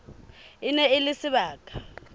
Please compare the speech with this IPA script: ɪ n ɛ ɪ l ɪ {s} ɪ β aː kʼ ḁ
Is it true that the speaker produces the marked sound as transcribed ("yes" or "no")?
yes